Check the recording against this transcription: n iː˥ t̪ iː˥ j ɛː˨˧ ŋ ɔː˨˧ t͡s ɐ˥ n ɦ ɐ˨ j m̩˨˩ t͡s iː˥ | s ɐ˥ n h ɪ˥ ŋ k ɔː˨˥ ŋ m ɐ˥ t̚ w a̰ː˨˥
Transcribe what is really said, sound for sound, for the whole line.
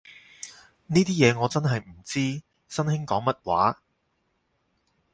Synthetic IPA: n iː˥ t̪ iː˥ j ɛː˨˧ ŋ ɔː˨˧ t͡s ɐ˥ n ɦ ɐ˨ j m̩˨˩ t͡s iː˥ | s ɐ˥ n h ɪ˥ ŋ k ɔː˨˥ ŋ m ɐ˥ t̚ w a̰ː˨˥

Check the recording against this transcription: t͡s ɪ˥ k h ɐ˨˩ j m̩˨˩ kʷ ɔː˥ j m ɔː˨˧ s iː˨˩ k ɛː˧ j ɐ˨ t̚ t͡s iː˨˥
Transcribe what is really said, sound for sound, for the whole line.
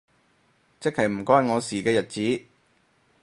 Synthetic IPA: t͡s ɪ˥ k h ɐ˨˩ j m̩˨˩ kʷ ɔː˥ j ŋ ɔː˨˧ s iː˨˩ k ɛː˧ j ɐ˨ t̚ t͡s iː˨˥

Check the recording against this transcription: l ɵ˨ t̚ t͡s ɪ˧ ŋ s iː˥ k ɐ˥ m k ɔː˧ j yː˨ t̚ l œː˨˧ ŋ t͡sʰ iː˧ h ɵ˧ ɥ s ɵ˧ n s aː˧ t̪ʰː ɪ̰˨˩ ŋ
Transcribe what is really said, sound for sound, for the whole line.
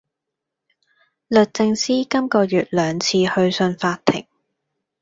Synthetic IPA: l ɵ˨ t̚ t͡s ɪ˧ ŋ s iː˥ k ɐ˥ m k ɔː˧ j yː˨ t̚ l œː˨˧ ŋ t͡sʰ iː˧ h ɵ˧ ɥ s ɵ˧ n f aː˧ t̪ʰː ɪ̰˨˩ ŋ

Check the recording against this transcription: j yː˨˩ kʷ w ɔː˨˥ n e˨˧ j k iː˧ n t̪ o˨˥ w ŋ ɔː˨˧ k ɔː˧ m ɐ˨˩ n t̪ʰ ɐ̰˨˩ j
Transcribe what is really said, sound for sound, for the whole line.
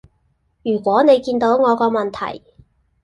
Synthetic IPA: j yː˨˩ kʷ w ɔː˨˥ n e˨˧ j k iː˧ n t̪ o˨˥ w ŋ ɔː˨˧ k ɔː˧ m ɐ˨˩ n t̪ʰ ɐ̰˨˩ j

